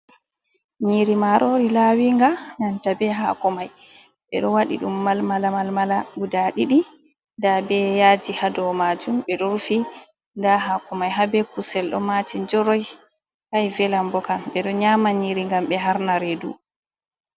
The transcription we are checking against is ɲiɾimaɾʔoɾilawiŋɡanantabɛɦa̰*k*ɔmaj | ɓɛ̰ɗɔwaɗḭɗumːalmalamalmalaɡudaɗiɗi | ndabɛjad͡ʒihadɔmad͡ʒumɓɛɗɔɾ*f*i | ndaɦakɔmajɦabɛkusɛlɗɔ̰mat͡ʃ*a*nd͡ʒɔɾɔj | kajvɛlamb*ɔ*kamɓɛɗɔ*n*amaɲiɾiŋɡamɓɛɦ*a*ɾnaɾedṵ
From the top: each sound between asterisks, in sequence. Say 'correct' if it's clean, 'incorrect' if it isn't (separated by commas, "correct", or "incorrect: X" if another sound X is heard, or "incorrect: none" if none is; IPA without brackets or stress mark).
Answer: correct, correct, incorrect: i, correct, incorrect: ɲ, correct